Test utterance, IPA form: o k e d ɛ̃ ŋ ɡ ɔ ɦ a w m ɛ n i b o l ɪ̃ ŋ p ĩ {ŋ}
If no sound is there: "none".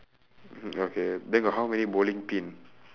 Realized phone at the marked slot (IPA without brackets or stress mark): n